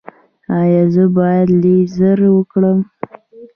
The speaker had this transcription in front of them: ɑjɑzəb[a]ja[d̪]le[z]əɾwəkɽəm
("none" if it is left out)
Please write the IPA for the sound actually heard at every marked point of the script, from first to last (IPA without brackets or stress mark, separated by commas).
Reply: ɑ, d̪, z